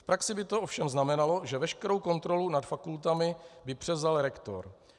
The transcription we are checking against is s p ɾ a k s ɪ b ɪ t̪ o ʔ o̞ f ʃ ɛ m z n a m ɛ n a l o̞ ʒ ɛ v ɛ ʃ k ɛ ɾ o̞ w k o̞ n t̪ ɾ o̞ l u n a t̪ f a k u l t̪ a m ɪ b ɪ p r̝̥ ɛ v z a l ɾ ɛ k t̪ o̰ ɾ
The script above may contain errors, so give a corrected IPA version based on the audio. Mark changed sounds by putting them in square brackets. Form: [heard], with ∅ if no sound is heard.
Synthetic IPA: [f] p ɾ a k s ɪ b ɪ t̪ o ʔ o̞ f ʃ ɛ m z n a m ɛ n a l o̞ ʒ ɛ v ɛ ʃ k ɛ ɾ o̞ w k o̞ n t̪ ɾ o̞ l u n a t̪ f a k u l t̪ a m ɪ b ɪ p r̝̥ ɛ v z a l ɾ ɛ k t̪ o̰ ɾ